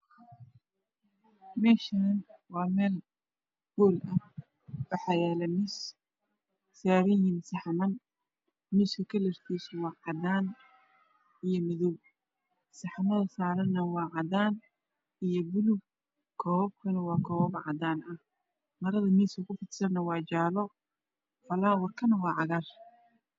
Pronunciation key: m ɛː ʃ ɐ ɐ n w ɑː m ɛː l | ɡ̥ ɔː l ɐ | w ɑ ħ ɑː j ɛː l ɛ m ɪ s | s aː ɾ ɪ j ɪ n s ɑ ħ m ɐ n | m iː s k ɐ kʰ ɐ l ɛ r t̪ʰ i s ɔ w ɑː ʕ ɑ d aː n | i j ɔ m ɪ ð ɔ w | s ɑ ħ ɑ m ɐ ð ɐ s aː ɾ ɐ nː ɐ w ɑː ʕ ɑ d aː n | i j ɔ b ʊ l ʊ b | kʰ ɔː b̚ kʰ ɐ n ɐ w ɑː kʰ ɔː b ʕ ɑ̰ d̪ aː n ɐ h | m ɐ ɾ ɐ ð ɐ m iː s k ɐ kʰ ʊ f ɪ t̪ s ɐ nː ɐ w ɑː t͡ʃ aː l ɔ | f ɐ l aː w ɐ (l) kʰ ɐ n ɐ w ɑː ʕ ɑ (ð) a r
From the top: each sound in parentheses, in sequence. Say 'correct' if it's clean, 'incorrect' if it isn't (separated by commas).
incorrect, incorrect